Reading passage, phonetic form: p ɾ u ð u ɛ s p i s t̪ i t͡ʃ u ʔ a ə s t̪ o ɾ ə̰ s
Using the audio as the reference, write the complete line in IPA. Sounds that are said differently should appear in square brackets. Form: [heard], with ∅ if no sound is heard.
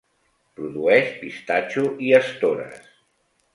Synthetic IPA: p ɾ u ð u ɛ [ʃ] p i s t̪ [a] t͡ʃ u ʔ [i] ə s t̪ o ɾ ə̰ s

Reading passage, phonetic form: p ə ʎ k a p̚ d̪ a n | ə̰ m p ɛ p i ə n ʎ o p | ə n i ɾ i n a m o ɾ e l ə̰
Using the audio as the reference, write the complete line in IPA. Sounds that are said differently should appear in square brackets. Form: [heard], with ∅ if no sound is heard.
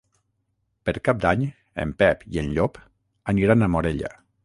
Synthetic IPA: p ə [ɾ] k a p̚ d̪ a [ɲ] | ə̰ m p ɛ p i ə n ʎ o p | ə n i ɾ [a] n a m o ɾ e [ʎ] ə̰

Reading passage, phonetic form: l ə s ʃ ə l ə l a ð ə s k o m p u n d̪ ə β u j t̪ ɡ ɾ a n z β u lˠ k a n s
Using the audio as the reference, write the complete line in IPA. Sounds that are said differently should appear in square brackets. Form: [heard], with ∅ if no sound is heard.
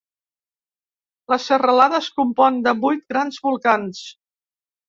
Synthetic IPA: l ə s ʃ ə [r] ə l a ð ə s k [u] m p [ɔ] n d̪ ə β u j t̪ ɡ ɾ a n z β u lˠ k a n s

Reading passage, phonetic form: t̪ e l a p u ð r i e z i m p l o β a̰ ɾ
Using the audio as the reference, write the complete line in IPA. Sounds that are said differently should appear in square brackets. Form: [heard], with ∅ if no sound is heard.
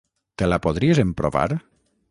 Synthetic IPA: t̪ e l a p [o] ð [ɾ] i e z [e] m p [ɾ] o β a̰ ɾ

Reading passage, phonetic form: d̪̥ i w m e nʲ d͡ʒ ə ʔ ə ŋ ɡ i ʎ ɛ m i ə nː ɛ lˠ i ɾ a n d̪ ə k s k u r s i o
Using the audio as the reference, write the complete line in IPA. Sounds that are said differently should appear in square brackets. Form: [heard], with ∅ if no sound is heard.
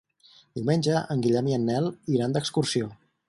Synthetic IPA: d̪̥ i w m e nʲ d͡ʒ ə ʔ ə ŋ ɡ i ʎ ɛ m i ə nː ɛ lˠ i ɾ a n d̪ ə k s k u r s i o

